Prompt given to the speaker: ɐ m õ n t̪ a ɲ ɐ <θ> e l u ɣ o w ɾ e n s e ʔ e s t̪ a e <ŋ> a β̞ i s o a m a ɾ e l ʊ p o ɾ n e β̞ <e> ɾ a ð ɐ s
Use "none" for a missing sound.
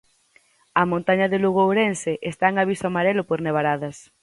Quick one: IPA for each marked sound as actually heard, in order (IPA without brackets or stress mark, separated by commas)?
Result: ð, ŋ, a